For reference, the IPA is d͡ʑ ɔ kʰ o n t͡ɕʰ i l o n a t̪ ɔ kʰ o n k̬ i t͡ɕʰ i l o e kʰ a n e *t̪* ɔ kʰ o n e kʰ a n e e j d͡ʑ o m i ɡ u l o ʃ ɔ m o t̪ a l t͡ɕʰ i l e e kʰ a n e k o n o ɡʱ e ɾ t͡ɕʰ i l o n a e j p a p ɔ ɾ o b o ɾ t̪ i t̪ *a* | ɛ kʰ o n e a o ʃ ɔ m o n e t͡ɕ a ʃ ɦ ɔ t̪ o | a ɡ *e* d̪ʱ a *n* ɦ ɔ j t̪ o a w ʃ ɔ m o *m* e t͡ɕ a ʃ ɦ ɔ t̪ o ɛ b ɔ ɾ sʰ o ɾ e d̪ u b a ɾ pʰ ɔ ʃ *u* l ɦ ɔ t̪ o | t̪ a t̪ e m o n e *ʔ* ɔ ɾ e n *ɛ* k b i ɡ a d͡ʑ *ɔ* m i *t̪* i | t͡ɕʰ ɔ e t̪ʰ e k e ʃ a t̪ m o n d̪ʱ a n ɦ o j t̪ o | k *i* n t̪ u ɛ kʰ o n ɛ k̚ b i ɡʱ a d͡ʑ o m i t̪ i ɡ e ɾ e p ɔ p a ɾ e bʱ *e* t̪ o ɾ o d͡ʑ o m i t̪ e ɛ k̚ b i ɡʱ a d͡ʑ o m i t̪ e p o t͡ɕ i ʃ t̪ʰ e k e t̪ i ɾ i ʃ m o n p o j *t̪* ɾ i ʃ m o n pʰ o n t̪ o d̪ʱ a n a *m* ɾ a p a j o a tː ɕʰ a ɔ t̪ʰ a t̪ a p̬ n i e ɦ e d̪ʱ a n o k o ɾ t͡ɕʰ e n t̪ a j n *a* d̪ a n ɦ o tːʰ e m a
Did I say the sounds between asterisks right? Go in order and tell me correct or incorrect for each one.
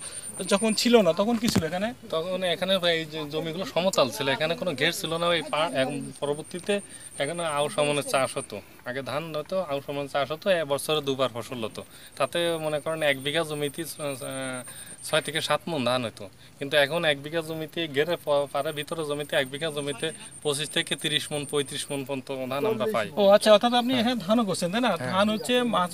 correct, incorrect: e, correct, correct, incorrect: n, incorrect: o, incorrect: k, correct, incorrect: o, correct, correct, incorrect: i, correct, correct, correct

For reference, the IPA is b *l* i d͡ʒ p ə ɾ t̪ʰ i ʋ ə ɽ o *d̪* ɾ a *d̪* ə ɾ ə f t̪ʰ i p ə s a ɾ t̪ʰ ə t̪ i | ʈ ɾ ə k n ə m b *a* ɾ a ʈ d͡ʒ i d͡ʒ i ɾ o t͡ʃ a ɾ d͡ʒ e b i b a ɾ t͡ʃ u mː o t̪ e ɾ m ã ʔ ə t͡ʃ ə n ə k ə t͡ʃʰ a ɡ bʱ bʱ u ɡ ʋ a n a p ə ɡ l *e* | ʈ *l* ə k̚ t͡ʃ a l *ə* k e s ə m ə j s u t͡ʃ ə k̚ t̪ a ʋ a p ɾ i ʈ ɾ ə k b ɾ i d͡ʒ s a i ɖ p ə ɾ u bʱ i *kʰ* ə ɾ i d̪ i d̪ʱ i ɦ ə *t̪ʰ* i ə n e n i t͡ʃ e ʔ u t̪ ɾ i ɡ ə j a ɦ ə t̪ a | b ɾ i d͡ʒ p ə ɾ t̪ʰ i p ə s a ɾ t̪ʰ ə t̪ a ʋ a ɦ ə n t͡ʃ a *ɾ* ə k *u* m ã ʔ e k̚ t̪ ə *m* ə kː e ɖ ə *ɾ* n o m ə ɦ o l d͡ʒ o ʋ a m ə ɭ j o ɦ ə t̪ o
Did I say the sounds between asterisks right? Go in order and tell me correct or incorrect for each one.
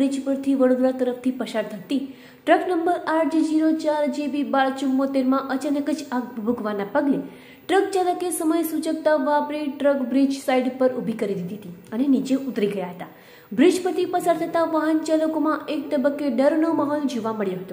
incorrect: ɾ, correct, incorrect: t̪, incorrect: ə, correct, incorrect: ɾ, correct, incorrect: k, incorrect: t̪, incorrect: l, incorrect: o, incorrect: b, correct

